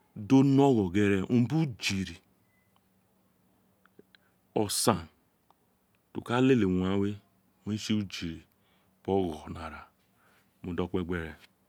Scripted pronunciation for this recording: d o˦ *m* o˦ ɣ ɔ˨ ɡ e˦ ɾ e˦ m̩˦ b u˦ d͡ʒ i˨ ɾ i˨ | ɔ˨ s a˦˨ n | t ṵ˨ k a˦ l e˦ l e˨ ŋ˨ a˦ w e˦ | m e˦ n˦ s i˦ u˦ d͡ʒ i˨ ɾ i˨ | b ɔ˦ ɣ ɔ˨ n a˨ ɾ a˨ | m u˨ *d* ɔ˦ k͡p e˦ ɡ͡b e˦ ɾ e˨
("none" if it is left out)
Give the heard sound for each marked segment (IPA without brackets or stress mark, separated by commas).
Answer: n, d